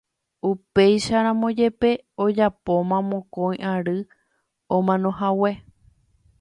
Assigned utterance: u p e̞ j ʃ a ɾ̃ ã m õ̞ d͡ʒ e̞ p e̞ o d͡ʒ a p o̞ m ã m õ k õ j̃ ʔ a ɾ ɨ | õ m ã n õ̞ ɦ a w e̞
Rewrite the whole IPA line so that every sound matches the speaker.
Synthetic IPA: u p e̞ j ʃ a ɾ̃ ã m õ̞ d͡ʒ e̞ p e̞ o d͡ʒ a p o̞ m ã m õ k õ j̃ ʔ a ɾ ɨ | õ m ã n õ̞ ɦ a w e̞